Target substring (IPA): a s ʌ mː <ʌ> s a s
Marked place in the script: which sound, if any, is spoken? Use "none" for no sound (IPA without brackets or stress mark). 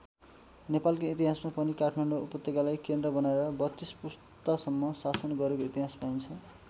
ʌ